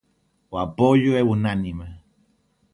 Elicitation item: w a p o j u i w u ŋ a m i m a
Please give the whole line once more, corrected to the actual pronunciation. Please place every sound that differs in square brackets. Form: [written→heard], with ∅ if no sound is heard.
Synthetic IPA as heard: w a p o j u [i→e] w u [ŋ→n] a [m→n] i m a